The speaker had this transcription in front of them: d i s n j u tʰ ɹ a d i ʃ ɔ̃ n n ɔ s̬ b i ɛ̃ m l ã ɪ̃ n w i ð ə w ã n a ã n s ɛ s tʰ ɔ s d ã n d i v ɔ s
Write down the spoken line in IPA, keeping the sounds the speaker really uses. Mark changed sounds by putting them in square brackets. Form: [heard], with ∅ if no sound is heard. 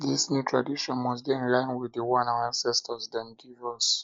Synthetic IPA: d i s n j u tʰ ɹ a d i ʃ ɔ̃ n [m] ɔ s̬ b i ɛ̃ [n] l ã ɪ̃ n w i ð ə w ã n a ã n s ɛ s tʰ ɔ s d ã n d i v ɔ s